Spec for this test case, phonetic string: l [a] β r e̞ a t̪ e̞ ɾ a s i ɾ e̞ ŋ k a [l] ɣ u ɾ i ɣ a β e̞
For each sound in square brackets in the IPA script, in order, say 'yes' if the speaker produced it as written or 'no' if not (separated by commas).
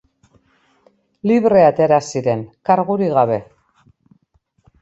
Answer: no, no